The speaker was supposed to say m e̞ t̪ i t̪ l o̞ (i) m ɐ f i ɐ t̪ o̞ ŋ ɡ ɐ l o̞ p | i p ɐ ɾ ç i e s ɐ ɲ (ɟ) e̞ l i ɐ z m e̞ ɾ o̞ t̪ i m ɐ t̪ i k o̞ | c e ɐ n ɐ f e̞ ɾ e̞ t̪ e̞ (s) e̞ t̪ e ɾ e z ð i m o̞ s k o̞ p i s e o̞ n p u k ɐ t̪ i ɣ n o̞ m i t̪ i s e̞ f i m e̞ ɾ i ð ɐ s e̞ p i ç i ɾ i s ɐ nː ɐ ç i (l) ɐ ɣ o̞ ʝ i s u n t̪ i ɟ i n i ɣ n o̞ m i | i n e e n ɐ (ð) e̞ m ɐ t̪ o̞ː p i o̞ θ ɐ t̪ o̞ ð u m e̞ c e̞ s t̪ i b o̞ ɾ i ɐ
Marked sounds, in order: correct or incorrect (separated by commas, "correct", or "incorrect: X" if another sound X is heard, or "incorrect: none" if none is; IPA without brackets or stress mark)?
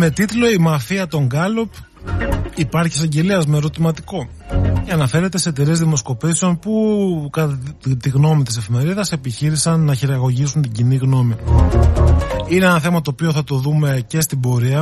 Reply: correct, correct, correct, incorrect: ɾ, incorrect: θ